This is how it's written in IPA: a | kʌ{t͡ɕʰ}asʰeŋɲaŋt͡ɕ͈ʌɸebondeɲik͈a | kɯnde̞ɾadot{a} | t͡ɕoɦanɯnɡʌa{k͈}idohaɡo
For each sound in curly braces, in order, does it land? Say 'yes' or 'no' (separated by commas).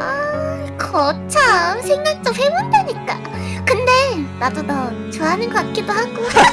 yes, no, yes